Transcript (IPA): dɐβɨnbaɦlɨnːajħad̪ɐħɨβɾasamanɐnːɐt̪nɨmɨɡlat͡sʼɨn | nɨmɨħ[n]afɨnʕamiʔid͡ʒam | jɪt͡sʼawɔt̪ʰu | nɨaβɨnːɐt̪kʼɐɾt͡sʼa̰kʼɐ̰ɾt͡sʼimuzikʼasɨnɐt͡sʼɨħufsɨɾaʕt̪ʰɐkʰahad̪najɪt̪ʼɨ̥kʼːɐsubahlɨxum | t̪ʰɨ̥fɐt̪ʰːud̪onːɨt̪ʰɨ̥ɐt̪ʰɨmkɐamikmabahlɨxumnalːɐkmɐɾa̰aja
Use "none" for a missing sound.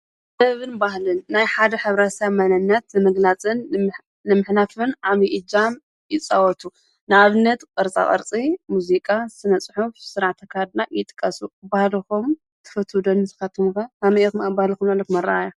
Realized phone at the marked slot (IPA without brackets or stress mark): n